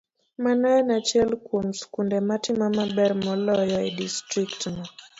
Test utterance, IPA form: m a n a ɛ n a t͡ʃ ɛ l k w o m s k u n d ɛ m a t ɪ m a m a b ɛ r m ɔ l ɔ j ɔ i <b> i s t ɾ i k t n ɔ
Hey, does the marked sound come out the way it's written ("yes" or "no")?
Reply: no